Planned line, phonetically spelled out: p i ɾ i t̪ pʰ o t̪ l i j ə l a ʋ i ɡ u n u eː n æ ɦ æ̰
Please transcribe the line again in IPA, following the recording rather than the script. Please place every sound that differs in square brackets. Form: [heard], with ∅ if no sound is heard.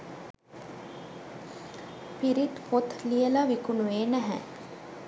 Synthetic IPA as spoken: p i ɾ i t̪ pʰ o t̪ l i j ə l a ʋ i [k] u n u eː n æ ɦ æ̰